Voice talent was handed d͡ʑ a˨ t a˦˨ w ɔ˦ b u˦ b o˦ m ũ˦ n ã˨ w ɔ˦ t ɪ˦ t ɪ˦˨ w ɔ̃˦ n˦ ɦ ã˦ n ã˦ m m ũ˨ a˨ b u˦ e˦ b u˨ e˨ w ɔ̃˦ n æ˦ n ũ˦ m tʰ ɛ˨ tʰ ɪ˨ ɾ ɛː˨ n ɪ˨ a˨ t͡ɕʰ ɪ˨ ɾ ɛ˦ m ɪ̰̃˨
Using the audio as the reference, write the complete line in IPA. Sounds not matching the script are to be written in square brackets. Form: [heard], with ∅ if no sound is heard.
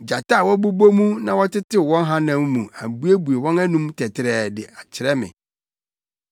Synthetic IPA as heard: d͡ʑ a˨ t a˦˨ w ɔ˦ b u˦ b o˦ m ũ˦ n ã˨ w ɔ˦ t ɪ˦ t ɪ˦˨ w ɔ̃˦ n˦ ɦ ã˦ n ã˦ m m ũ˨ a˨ b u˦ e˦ b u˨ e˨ w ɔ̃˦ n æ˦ n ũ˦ m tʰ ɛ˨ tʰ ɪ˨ ɾ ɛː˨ [d] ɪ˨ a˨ t͡ɕʰ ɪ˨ ɾ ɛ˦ m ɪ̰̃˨

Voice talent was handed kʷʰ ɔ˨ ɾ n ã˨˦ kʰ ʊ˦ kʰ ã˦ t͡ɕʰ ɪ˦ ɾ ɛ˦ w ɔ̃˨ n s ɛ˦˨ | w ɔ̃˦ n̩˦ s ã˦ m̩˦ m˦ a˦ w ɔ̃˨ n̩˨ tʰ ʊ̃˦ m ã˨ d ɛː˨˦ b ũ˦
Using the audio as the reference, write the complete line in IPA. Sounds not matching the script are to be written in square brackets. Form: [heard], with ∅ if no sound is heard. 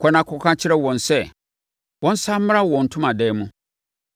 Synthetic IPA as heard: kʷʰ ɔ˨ [∅] n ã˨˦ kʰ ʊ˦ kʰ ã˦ t͡ɕʰ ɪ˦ ɾ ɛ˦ w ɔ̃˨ n s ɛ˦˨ | w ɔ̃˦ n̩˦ s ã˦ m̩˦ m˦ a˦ w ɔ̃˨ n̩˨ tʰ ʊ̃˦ m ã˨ d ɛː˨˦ [m] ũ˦

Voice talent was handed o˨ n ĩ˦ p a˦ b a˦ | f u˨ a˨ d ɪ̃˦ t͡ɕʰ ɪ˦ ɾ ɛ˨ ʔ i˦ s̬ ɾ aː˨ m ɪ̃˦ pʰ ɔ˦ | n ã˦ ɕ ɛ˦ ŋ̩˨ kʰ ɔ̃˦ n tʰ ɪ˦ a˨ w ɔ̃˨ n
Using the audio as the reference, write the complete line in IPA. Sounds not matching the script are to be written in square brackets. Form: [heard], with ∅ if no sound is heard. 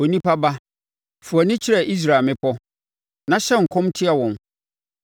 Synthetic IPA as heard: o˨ n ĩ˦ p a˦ b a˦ | f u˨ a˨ [n] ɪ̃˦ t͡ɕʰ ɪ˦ ɾ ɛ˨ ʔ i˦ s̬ ɾ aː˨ m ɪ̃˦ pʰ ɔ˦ | n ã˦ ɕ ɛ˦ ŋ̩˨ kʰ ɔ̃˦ [m] tʰ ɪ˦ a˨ w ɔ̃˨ n

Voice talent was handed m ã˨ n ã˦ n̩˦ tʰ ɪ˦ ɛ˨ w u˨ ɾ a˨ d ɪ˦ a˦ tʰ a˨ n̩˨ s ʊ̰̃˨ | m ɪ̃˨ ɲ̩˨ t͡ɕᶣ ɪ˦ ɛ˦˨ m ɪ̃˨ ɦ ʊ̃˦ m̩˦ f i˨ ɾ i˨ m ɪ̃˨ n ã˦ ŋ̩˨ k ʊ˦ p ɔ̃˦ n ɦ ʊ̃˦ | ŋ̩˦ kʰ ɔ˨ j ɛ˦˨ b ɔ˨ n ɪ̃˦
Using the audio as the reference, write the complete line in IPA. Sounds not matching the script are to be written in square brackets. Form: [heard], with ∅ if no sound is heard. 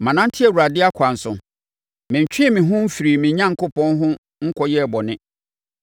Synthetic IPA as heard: m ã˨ n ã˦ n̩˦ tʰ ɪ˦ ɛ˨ w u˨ ɾ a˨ d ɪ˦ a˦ [kʰ] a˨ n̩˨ s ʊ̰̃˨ | m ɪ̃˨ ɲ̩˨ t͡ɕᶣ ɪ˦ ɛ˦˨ m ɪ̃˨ ɦ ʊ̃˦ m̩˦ f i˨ ɾ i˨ m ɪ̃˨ [ɲ] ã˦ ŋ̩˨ k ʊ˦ p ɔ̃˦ n ɦ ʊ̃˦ | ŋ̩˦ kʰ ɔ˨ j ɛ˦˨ b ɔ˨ n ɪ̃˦

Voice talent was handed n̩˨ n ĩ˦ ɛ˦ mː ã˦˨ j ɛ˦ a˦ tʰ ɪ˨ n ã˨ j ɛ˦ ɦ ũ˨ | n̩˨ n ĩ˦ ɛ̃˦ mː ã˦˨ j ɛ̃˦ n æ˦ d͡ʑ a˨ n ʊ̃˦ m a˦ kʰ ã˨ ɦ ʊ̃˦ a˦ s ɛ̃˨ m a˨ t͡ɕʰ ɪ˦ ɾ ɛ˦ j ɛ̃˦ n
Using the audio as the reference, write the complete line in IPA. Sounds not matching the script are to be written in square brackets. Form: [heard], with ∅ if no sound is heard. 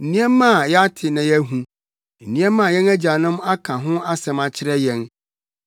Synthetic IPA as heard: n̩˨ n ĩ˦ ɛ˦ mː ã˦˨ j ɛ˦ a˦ tʰ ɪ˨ n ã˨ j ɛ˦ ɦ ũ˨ | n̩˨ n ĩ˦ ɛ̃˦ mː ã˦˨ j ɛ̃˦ n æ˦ d͡ʑ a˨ n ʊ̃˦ m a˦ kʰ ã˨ ɦ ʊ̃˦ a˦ s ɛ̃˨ m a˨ t͡ɕʰ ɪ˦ ɾ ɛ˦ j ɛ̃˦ n

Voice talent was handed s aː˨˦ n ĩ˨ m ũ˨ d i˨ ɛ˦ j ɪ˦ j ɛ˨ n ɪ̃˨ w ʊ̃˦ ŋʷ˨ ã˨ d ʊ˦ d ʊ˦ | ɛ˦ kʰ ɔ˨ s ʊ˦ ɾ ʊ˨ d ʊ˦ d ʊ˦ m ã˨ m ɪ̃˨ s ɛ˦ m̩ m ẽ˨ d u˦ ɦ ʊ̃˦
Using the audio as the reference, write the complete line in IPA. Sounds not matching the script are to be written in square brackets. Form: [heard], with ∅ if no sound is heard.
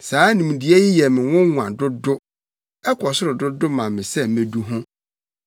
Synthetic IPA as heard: s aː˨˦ n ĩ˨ m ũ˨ d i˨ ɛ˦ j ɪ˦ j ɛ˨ [m] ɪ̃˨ w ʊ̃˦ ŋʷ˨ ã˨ d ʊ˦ d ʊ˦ | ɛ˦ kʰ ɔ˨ s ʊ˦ ɾ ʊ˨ d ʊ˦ d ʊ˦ m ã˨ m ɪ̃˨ s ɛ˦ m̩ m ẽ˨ d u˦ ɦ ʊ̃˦

